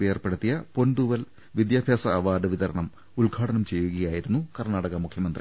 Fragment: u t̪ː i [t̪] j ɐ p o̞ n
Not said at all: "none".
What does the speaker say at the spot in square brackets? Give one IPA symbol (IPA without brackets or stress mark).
none